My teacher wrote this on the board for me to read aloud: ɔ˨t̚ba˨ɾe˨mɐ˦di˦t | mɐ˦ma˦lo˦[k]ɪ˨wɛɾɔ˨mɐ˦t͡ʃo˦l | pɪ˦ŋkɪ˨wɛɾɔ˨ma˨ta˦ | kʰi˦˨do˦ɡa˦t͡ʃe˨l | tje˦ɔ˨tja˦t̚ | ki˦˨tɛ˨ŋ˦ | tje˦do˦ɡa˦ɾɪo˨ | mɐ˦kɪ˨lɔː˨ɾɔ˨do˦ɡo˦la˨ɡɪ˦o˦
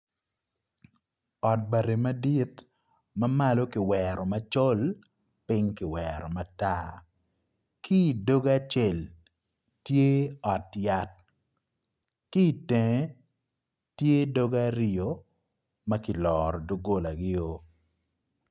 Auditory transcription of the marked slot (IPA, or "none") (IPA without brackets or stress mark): k